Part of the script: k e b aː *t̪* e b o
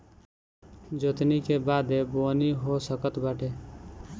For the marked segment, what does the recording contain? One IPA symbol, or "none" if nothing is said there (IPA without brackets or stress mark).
d̪